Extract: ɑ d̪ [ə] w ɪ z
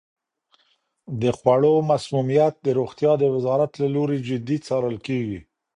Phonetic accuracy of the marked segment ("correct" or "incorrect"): correct